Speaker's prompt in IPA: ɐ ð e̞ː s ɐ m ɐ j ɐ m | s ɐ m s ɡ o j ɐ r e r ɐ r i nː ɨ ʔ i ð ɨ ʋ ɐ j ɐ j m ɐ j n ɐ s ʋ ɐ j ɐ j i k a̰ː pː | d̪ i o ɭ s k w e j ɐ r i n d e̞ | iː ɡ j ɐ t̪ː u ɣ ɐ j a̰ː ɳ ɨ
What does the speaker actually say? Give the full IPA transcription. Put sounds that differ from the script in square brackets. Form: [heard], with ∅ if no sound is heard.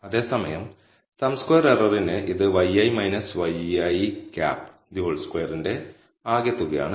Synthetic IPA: ɐ ð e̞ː s ɐ m ɐ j ɐ m | s ɐ m s [k] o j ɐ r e r ɐ r i [n] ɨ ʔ i ð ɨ ʋ ɐ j ɐ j m ɐ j n ɐ s ʋ ɐ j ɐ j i k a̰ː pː | d̪ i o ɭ s k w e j ɐ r i n d e̞ | [aː] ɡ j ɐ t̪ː u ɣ ɐ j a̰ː ɳ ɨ